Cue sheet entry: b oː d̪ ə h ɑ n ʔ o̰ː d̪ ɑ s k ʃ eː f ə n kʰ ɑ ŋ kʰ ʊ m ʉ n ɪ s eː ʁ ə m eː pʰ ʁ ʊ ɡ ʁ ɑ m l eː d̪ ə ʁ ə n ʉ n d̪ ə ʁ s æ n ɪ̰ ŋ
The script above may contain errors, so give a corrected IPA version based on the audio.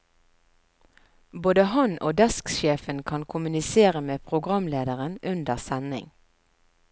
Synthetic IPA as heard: b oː d̪ ə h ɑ n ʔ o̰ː d̪ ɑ s k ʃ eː f ə n kʰ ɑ n kʰ ʊ m ʉ n ɪ s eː ʁ ə m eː pʰ ʁ ʊ ɡ ʁ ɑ m l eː d̪ ə ʁ ə n ʉ n d̪ ə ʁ s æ n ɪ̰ ŋ